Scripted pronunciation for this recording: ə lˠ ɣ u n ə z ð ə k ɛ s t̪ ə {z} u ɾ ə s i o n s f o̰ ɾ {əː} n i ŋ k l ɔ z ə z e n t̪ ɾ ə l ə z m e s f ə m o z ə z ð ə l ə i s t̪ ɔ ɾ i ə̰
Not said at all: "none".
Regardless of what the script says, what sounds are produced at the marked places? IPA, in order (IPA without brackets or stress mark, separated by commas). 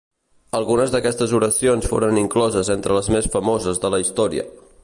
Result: z, ə